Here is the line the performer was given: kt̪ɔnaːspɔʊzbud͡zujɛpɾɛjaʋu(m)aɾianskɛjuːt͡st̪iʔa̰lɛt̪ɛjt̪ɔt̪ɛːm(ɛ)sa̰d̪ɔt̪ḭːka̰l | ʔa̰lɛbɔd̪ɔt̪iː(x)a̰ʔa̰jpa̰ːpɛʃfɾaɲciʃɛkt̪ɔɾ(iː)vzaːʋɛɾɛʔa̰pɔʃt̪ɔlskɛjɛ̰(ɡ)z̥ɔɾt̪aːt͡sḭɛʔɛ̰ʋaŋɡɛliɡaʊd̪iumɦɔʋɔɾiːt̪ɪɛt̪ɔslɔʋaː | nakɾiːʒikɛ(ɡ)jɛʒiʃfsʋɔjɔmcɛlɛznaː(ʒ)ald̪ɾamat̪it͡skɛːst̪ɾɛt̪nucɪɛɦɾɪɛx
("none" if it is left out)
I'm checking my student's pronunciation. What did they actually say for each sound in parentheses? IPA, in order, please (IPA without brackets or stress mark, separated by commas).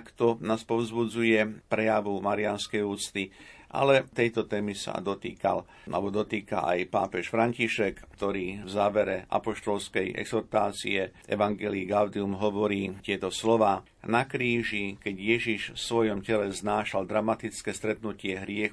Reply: m, i, k, iː, ɡ, ɟ, ʃ